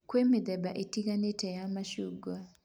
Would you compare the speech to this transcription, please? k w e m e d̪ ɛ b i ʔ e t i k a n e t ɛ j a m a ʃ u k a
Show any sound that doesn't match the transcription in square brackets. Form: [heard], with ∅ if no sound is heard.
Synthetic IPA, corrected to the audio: k w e m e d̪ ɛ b [a] ʔ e t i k a n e t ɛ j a m a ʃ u [ɡ] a